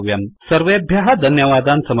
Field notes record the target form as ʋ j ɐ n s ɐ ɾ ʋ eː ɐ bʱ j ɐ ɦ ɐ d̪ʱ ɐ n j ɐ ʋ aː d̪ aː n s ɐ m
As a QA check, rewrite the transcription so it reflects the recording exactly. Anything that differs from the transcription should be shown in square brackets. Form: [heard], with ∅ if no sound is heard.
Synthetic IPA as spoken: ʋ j ɐ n s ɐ ɾ ʋ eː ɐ bʱ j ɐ ɦ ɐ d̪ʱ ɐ n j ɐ ʋ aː d̪ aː n s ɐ m

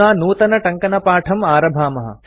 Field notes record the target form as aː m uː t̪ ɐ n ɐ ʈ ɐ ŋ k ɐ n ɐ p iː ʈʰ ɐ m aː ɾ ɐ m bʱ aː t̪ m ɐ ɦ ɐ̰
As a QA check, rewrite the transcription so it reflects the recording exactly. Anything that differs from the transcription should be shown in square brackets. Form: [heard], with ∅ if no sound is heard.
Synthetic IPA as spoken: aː [n] uː t̪ ɐ n ɐ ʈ ɐ ŋ k ɐ n ɐ p [aː] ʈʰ ɐ m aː ɾ ɐ [∅] bʱ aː [∅] m ɐ ɦ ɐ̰

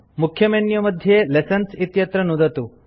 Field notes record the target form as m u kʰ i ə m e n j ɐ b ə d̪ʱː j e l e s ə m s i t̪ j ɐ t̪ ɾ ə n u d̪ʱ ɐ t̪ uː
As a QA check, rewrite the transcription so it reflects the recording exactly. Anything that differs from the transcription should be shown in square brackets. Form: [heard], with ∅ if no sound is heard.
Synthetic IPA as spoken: m u kʰ [j] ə m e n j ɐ [m] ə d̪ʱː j e l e s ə [n] s i t̪ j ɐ t̪ ɾ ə n u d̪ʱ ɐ t̪ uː

